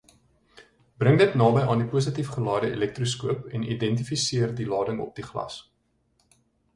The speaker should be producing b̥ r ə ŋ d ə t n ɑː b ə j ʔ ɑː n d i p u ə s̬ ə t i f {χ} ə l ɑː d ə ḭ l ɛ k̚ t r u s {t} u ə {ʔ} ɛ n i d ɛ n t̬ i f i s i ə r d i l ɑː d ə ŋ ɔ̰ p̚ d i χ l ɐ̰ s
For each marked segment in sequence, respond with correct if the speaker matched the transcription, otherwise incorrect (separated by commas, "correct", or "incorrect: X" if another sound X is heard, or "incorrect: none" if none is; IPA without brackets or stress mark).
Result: correct, incorrect: k, incorrect: p